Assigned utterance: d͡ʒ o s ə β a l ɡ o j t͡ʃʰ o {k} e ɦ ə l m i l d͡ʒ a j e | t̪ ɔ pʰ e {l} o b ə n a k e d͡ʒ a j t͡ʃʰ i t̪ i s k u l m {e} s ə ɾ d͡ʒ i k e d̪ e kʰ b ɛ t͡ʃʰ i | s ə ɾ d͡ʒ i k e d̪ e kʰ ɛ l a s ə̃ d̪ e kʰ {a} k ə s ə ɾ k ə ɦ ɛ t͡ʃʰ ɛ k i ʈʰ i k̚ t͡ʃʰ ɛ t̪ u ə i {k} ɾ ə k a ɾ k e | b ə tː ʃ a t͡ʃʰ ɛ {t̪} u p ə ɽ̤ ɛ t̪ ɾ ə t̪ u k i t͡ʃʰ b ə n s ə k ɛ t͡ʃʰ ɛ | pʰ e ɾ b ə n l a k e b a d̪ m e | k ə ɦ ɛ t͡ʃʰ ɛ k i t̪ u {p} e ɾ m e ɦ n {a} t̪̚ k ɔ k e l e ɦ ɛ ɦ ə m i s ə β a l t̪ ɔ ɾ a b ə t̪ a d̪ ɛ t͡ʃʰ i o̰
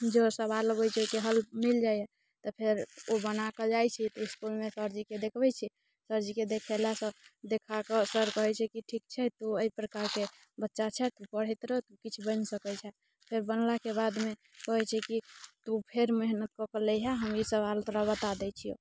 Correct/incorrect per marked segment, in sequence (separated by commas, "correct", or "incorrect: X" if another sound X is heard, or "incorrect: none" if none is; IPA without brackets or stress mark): correct, incorrect: ɾ, correct, correct, incorrect: p, correct, incorrect: pʰ, incorrect: ə